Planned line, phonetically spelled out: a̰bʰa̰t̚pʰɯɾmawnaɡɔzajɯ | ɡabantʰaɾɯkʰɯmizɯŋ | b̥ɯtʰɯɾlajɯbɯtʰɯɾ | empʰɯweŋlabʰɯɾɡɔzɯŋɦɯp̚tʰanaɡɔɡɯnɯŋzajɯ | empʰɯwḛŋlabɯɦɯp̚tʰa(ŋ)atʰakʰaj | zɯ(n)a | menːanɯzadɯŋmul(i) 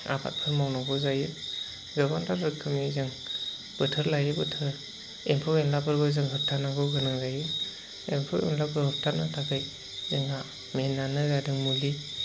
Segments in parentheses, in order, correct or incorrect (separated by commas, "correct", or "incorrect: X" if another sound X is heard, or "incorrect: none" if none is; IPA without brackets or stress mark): incorrect: n, incorrect: ŋ, correct